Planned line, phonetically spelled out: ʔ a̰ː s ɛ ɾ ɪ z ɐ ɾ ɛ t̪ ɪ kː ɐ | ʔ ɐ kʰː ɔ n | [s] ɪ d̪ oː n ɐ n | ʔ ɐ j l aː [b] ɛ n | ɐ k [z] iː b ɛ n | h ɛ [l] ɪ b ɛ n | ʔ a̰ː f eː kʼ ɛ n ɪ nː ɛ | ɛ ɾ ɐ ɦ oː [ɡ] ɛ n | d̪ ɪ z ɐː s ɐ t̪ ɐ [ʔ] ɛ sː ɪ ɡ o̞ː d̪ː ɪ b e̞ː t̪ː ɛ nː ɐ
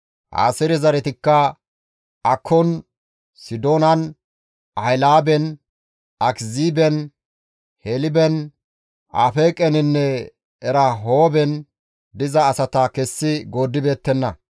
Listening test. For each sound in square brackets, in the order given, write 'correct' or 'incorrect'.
correct, correct, correct, correct, incorrect, incorrect

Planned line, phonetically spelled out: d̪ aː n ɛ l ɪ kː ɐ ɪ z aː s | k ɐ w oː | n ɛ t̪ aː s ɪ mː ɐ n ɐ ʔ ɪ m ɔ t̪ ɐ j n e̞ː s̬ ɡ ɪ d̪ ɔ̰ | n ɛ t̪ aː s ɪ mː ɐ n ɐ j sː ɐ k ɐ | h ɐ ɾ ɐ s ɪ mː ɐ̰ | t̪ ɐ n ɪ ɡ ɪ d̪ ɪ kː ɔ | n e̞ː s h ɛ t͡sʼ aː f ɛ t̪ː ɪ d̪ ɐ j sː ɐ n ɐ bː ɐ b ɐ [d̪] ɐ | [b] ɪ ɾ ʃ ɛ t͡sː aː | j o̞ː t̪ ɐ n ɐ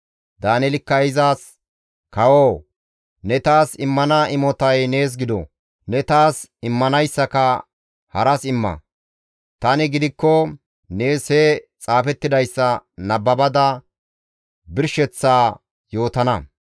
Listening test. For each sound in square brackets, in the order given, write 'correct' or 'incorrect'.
correct, correct

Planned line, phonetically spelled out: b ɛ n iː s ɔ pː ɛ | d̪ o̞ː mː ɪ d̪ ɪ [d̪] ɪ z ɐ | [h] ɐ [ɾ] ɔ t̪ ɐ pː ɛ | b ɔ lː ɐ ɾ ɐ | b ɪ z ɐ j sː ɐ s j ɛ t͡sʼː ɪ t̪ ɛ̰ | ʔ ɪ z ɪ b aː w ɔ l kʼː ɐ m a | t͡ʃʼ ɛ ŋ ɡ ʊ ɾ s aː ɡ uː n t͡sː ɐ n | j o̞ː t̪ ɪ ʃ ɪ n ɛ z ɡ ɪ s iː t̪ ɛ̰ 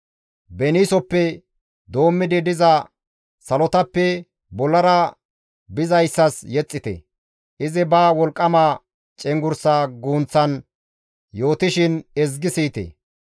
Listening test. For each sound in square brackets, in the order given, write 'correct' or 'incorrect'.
correct, incorrect, incorrect

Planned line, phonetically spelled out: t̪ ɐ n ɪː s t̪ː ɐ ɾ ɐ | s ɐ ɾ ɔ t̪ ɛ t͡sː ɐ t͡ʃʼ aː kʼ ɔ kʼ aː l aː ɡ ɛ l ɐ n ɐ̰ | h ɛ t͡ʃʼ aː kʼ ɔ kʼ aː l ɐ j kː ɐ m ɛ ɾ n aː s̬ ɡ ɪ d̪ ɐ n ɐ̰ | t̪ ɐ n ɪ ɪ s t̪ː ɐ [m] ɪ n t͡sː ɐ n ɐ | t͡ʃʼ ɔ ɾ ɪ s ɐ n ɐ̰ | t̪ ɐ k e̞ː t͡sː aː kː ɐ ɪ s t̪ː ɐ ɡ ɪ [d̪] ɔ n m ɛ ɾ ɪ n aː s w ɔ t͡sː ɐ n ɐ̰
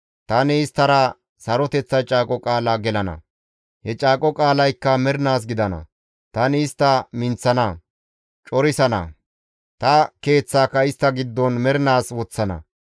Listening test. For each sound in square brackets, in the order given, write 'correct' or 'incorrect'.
correct, incorrect

